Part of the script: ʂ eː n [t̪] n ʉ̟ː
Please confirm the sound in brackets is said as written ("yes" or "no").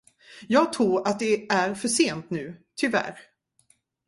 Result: yes